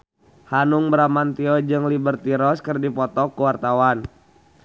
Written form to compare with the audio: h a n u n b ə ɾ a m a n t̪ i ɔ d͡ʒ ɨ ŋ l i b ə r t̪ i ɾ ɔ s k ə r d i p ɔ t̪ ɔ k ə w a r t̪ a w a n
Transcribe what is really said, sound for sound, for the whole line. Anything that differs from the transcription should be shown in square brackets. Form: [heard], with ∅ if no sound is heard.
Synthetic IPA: h a n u [ŋ] b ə ɾ a m a n t̪ i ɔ d͡ʒ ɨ ŋ l i b ə r t̪ i ɾ ɔ s k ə r d i p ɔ t̪ ɔ k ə w a r t̪ a w a n